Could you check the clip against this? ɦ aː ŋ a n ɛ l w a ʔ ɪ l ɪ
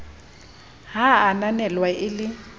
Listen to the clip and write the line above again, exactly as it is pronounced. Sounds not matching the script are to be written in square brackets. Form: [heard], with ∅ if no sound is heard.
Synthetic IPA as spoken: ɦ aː [n] a n ɛ l w a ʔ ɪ l ɪ